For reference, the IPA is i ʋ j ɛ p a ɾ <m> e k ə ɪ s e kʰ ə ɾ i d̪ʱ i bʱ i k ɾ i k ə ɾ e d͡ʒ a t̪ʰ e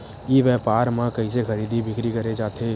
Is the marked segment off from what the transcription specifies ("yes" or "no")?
no